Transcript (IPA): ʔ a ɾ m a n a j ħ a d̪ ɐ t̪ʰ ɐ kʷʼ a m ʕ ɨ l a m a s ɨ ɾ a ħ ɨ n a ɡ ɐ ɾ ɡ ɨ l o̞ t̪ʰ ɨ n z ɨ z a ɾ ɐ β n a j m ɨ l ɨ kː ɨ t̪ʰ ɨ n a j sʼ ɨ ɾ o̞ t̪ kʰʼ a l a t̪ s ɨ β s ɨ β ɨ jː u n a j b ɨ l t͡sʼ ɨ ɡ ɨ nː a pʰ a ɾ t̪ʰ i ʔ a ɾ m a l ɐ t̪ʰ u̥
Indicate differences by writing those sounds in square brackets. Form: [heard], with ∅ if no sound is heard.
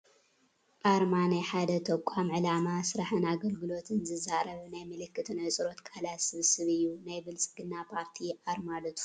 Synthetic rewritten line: ʔ a ɾ m a n a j ħ a d̪ ɐ t̪ʰ ɐ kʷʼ a m ʕ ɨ l a m a s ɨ ɾ a ħ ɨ n a ɡ ɐ [l] ɡ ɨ l o̞ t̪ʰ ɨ n z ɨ z a ɾ ɐ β n a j m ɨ l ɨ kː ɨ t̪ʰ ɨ n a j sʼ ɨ ɾ o̞ t̪ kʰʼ a l a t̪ s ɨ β s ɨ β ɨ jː u n a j b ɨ l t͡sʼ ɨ ɡ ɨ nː a pʰ a ɾ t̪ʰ i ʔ a ɾ m a l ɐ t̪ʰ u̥